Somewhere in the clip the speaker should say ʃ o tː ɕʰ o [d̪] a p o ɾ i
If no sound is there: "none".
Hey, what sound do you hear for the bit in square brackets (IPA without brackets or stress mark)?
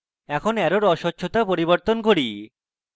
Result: t̪